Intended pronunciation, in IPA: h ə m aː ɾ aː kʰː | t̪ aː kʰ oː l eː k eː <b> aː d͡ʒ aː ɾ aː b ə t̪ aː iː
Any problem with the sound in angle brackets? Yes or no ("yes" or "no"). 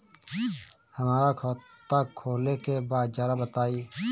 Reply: no